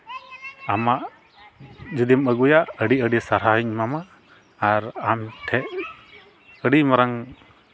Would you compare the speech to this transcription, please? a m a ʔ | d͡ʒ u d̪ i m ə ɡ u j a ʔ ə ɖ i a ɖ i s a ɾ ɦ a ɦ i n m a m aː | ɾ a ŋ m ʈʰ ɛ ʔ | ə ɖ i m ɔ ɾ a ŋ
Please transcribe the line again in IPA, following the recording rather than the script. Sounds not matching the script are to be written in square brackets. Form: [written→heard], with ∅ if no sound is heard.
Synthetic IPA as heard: a m a ʔ | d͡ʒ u d̪ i m ə ɡ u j a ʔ ə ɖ i [a→ə] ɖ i s a ɾ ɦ a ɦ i [n→ɲ] m a m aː | ɾ a [ŋ→∅] m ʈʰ ɛ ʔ | ə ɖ i m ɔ ɾ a ŋ